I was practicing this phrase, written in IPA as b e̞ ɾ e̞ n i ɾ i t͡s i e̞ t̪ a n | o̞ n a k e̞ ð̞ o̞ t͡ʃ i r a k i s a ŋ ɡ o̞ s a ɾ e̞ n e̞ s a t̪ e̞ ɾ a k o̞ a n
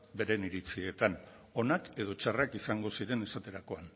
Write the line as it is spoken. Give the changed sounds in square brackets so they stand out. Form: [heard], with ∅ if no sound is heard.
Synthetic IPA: b e̞ ɾ e̞ n i ɾ i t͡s i e̞ t̪ a n | o̞ n a k e̞ ð̞ o̞ t͡ʃ [a] r a k i s a ŋ ɡ o̞ s [i] ɾ e̞ n e̞ s a t̪ e̞ ɾ a k o̞ a n